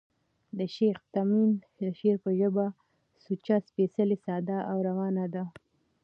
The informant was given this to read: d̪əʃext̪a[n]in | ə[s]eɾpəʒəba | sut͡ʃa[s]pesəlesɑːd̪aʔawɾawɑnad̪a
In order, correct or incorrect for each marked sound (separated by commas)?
incorrect, incorrect, correct